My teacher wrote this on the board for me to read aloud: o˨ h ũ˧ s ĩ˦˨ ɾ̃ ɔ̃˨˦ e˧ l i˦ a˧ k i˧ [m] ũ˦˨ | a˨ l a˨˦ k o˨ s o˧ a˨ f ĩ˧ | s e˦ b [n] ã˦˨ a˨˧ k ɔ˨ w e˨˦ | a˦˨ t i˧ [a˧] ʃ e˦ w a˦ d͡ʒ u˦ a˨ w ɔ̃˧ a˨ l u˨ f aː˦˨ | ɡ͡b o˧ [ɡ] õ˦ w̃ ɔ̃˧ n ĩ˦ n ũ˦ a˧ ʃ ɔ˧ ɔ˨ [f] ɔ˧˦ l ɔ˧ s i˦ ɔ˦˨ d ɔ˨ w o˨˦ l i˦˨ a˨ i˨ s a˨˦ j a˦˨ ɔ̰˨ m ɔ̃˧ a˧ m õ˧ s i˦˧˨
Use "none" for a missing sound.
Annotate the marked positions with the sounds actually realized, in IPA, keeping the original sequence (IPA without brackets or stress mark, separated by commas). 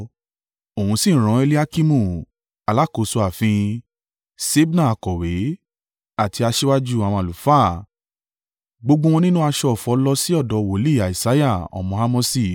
m, n, a˧, ɡ͡b, f